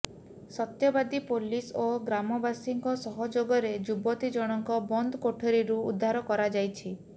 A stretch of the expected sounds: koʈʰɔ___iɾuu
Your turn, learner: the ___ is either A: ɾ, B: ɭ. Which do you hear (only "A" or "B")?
A